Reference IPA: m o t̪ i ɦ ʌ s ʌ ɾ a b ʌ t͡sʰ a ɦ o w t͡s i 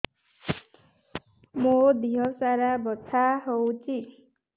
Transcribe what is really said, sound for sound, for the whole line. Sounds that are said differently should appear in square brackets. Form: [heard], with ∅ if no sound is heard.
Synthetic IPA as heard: m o [d̪] i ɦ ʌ s [a] ɾ a b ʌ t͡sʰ a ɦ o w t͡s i